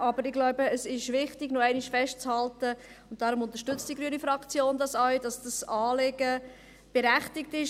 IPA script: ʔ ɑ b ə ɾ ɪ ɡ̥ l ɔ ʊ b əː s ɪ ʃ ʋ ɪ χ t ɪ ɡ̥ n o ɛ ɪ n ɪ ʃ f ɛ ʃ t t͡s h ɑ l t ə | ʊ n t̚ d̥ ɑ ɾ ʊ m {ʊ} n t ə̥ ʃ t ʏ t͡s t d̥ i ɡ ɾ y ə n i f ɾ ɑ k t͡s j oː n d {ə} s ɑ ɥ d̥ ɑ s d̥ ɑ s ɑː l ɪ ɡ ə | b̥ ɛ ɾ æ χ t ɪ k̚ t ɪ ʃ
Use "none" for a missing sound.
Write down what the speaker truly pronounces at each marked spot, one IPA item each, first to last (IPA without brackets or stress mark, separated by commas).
ʊ, ɑ